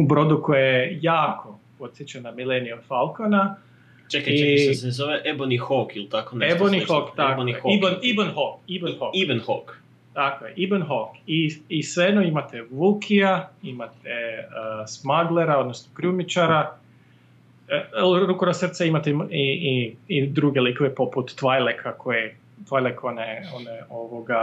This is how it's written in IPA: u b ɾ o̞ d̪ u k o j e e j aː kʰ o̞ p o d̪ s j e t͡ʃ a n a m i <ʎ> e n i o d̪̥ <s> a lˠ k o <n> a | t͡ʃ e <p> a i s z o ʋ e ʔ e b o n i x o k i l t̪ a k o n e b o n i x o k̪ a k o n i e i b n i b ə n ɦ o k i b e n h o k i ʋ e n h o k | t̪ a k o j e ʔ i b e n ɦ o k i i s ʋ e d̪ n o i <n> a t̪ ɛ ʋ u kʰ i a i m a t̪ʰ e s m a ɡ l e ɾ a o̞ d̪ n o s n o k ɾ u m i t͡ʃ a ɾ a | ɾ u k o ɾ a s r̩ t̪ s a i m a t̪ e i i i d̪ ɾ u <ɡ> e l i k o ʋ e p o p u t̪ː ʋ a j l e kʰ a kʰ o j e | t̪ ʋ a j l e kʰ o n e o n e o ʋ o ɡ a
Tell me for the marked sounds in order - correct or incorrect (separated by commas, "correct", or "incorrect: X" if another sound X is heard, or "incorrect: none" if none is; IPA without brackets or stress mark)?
incorrect: l, incorrect: f, correct, incorrect: k, incorrect: m, correct